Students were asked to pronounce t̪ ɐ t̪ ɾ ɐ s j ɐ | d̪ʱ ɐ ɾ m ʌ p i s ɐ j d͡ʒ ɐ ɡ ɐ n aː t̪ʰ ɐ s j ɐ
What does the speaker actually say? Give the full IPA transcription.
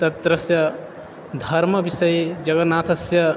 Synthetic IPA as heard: t̪ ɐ t̪ ɾ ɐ s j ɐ | d̪ʱ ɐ ɾ m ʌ b i s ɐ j d͡ʒ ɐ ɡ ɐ n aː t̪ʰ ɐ s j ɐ